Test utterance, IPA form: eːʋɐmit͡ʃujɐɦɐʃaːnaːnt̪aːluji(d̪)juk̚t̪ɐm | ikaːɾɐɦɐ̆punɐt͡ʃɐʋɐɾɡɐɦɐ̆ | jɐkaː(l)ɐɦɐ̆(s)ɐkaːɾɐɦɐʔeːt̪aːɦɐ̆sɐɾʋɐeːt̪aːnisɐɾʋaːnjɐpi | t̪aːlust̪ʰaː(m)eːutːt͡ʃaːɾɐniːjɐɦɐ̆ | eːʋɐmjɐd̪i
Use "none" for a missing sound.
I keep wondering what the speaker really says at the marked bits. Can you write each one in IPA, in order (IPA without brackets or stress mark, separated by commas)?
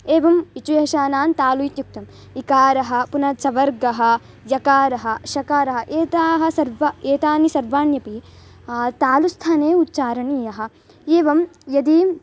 t̪, ɾ, ʃ, n